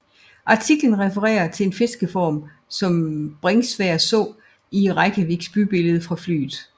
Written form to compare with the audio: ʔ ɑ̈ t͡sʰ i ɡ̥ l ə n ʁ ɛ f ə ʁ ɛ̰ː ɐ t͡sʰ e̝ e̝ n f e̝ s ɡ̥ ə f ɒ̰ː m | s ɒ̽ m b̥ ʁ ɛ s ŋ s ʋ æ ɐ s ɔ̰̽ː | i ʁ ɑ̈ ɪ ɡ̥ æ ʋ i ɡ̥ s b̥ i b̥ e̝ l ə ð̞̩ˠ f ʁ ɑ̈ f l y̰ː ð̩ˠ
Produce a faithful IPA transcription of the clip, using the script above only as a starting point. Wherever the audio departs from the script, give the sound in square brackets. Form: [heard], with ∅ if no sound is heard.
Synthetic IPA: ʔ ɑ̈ t͡sʰ i ɡ̥ l ə n ʁ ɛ f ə ʁ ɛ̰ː ɐ t͡sʰ e̝ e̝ n f e̝ s ɡ̥ ə f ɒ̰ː m | s ɒ̽ m b̥ ʁ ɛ [∅] ŋ s ʋ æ ɐ s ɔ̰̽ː | i ʁ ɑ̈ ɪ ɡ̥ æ ʋ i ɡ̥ s b̥ [y] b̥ e̝ l ə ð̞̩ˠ f ʁ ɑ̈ f l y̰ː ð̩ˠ